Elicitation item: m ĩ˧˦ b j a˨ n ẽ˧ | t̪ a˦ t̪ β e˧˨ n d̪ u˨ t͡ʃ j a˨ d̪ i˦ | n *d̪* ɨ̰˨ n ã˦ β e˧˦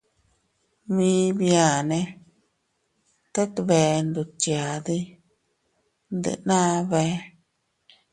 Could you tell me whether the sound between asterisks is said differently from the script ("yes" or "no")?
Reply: no